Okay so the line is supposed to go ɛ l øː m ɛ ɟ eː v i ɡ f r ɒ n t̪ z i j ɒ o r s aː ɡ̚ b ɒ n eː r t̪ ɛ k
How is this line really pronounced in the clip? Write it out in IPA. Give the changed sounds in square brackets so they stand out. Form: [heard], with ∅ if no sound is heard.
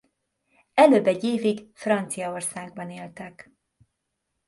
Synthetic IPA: ɛ l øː [b] ɛ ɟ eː v i ɡ f r ɒ n t̪ [s] i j ɒ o r s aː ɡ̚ b ɒ n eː [l] t̪ ɛ k